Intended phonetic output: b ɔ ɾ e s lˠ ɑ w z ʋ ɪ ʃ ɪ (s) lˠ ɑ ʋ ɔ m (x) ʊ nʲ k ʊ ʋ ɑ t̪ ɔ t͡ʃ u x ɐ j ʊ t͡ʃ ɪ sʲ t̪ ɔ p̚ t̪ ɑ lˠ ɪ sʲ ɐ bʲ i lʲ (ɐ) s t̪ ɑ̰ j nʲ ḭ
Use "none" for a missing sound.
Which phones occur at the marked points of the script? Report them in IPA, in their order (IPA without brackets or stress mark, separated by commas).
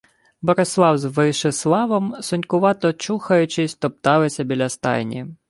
s, s, ɐ